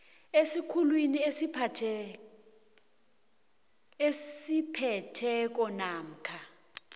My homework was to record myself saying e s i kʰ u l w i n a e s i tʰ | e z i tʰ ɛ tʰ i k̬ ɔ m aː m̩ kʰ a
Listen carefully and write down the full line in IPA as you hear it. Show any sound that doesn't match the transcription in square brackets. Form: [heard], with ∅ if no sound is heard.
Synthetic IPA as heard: e s i kʰ u l w i n [i] e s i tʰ | e [s] i [pʰ] ɛ tʰ [ɛ] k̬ ɔ [n] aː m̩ kʰ a